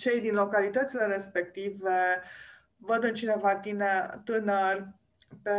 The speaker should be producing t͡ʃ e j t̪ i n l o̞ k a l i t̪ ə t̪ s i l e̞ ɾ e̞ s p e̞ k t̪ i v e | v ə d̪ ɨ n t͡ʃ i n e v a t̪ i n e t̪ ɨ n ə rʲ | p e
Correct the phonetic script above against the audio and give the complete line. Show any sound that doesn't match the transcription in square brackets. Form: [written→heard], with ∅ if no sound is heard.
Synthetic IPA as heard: t͡ʃ e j [t̪→d̪] i n l o̞ k a l i t̪ ə t̪ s i l e̞ ɾ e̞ s p e̞ k t̪ i v e | v ə d̪ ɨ n t͡ʃ i n e v a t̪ i n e t̪ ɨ n ə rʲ | p e